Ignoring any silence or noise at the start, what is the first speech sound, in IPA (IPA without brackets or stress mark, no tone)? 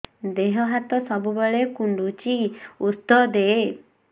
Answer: d̪